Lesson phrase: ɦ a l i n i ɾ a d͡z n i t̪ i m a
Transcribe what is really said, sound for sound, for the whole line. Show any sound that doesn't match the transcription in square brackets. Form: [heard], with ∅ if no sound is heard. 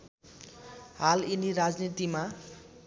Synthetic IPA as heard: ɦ a l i n i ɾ a d͡z n i t̪ i m a